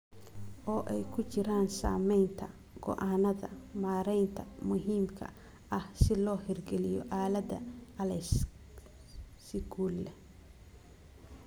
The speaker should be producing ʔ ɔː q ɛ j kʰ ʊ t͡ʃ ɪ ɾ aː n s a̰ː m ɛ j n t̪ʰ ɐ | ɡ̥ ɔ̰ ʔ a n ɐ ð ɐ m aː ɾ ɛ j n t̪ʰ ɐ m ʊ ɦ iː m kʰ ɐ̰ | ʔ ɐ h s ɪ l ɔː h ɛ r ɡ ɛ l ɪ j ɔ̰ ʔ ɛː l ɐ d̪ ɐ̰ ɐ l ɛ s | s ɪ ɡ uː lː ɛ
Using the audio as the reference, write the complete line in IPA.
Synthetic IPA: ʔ ɔː ʔ ɛ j kʰ ʊ t͡ʃ ɪ ɾ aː n s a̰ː m ɛ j n t̪ʰ ɐ | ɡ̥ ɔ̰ ʔ a n ɐ ð ɐ m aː ɾ ɛ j n t̪ʰ ɐ m ʊ ɦ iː m kʰ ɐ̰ | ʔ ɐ h s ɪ l ɔː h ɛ r ɡ ɛ l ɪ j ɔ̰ ʔ aː l ɐ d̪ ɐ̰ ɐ l ɛ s | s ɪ ɡ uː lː ɛ